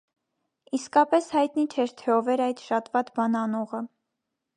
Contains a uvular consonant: yes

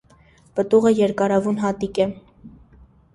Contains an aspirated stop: no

